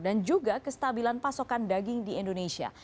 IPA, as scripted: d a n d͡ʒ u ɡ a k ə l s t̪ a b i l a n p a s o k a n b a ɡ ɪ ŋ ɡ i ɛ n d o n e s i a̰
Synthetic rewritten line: d a n d͡ʒ u ɡ a k ə s t̪ a b i l a n p a s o k a n d a ɡ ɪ ŋ d i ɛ n d o n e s i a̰

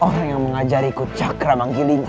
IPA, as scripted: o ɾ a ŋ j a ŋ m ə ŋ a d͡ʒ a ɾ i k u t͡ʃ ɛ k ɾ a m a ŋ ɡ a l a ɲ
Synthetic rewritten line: o ɾ a ŋ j a ŋ m ə ŋ a d͡ʒ a ɾ i k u t͡ʃ a k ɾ a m a ŋ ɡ i l i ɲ

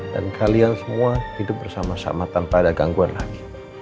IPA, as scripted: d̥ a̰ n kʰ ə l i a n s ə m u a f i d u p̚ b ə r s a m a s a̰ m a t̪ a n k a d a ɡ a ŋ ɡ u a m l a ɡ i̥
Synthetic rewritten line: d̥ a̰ n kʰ a l i a n s ə m u a h i d ʊ p̚ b ə r s a m a s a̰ m a t̪ a n p a d a ɡ a ŋ ɡ u a n l a ɡ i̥

